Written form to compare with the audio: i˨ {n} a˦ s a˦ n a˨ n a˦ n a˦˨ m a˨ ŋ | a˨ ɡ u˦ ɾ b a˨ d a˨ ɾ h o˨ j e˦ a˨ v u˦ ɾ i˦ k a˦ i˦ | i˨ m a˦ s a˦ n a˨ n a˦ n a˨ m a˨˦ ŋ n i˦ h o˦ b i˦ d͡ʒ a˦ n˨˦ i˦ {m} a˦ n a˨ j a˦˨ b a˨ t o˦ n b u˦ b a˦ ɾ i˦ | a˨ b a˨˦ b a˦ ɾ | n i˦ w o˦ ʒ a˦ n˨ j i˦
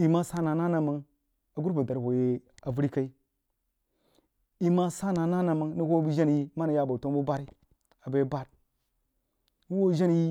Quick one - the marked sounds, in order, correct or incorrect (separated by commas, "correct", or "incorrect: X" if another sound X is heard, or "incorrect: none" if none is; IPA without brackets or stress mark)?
incorrect: m, correct